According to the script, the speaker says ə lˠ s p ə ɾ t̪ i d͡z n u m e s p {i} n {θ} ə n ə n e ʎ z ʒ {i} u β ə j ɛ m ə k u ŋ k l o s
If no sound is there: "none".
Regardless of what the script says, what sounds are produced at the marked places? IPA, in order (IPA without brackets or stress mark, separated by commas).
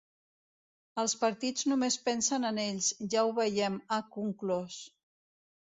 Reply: ɛ, s, a